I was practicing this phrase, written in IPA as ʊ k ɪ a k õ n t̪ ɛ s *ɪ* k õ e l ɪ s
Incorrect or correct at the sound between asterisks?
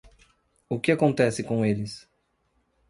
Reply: correct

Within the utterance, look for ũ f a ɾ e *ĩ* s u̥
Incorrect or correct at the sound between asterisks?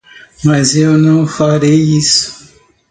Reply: incorrect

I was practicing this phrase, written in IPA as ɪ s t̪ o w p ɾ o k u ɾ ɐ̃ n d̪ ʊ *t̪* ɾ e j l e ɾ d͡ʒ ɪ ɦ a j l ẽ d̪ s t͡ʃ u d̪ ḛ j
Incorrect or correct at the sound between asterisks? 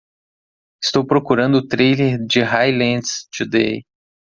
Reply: correct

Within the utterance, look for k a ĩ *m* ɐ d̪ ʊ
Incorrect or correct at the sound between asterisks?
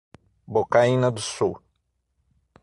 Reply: incorrect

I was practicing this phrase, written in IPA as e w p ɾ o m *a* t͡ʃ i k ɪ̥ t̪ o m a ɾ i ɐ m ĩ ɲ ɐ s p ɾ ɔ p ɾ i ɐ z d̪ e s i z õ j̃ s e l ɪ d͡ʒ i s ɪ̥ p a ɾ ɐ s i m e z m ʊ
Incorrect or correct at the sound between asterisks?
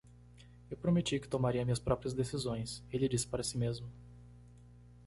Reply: incorrect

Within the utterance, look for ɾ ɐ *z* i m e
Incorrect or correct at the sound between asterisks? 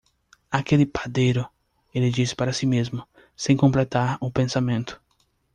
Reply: incorrect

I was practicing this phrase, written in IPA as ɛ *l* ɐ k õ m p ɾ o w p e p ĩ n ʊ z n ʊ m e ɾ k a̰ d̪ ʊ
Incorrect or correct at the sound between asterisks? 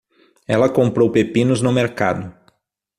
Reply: correct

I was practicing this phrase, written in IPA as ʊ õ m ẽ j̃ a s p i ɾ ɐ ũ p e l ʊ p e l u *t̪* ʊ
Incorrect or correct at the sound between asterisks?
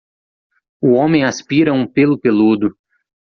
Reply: incorrect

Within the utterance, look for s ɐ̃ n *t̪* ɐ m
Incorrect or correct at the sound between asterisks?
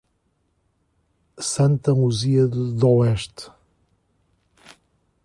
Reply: correct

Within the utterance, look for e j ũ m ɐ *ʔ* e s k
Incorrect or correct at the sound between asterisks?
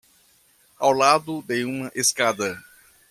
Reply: correct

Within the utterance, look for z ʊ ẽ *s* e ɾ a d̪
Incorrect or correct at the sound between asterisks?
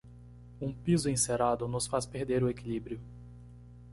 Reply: correct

